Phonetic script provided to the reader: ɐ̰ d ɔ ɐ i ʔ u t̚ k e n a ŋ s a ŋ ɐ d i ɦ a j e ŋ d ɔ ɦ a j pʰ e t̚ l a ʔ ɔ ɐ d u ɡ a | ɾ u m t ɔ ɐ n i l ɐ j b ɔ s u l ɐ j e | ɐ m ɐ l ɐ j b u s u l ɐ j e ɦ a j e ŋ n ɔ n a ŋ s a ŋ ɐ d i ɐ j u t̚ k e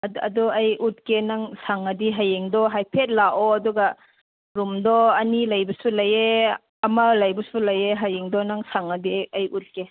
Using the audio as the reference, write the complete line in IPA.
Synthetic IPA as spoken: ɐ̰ d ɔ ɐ j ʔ u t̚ k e n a ŋ s a ŋ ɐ d i ɦ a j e ŋ d ɔ ɦ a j pʰ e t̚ l a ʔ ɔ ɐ d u ɡ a | ɾ u m d ɔ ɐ n i l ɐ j b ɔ s u l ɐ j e | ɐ m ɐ l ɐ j b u s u l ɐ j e ɦ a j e ŋ d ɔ n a ŋ s a ŋ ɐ d i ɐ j u t̚ k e